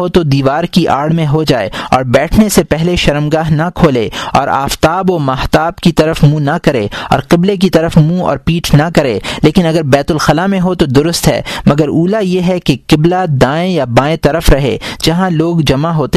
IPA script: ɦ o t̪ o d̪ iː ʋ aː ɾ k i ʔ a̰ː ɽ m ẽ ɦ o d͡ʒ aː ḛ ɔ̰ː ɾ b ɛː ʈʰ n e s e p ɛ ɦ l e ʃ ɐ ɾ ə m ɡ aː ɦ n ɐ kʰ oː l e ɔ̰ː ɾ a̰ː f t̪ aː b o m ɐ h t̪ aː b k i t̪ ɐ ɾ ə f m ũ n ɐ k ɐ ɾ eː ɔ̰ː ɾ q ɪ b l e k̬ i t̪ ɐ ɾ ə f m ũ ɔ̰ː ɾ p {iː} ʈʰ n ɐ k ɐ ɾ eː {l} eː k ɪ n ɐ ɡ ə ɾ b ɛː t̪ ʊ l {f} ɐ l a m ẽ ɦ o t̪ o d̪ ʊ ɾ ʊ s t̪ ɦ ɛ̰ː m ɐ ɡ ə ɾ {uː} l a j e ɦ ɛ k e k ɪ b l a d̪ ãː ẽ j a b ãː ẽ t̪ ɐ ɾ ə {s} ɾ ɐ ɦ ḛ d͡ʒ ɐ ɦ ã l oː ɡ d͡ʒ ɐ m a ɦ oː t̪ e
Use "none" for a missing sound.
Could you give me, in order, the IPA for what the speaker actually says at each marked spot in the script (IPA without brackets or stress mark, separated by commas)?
iː, l, x, uː, f